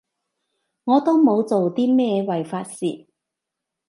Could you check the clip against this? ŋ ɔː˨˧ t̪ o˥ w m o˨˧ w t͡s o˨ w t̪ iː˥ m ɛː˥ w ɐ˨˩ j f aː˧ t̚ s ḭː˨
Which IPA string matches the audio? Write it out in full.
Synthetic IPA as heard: ŋ ɔː˨˧ t̪ o˥ w m o˨˧ w t͡s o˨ w t̪ iː˥ m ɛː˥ w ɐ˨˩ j f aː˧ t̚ s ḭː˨